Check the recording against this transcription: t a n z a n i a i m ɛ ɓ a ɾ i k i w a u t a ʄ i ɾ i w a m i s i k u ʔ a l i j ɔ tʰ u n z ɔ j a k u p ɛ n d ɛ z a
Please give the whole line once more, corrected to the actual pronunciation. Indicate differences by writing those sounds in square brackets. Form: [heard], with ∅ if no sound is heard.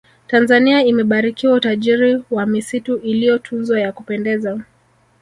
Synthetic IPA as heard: t a n z a n i a i m ɛ ɓ a ɾ i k i w a u t a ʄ i ɾ i w a m i s i [t] u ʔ [i] l i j ɔ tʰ u n z ɔ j a k u p ɛ n d ɛ z a